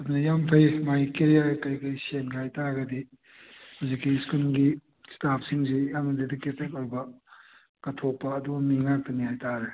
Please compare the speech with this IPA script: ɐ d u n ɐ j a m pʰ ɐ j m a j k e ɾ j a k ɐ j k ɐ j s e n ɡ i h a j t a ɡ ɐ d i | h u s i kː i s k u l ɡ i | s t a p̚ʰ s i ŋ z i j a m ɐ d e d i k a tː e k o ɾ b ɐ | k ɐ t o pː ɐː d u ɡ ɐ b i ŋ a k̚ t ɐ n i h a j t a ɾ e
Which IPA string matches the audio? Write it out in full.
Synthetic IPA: ɐ d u n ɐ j a m pʰ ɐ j m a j k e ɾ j a k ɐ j k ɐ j s e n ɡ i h a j t a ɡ ɐ d i | h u z i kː i s k u l ɡ i | s t a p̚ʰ s i ŋ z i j a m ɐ d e d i k e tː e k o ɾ b ɐ | k ɐ tʰ o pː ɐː d u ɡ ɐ m i ŋ a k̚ t ɐ n i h a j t a ɾ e